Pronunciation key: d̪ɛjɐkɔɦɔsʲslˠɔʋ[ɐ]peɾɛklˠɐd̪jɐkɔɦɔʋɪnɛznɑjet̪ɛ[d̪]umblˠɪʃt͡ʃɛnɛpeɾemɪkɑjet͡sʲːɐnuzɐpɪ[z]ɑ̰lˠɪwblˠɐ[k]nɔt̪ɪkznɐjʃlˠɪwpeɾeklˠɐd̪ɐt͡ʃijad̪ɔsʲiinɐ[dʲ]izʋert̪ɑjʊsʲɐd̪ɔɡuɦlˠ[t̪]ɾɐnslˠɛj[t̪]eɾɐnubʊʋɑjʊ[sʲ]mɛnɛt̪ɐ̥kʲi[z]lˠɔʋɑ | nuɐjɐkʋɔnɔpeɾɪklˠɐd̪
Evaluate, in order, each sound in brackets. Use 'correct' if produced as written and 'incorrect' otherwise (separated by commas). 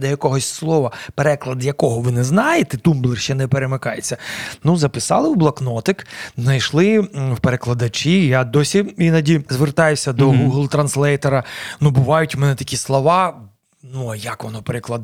correct, incorrect, incorrect, correct, correct, correct, correct, incorrect, incorrect